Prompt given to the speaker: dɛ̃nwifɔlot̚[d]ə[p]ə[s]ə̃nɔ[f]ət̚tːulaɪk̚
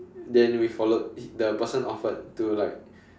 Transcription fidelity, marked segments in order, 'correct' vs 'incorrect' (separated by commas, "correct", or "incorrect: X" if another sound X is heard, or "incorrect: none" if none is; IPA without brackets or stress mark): correct, correct, correct, correct